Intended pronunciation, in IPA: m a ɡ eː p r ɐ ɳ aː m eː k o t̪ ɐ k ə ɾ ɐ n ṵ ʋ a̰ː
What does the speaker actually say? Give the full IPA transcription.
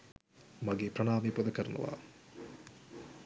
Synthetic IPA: m a ɡ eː p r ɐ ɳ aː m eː p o d̪ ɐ k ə ɾ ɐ n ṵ ʋ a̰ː